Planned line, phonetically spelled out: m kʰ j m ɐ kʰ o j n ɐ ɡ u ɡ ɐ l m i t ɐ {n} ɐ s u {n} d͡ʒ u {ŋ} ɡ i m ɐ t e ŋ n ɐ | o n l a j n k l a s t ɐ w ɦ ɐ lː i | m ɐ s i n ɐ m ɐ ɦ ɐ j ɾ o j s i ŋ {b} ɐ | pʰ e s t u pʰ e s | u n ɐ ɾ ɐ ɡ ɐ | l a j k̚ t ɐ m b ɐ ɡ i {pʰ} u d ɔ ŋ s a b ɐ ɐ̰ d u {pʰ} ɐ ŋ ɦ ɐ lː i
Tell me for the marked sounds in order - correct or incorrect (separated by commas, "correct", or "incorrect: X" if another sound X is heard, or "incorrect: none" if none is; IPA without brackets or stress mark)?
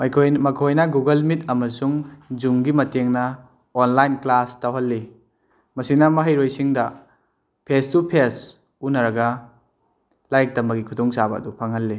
incorrect: m, incorrect: ŋ, correct, incorrect: d, incorrect: kʰ, correct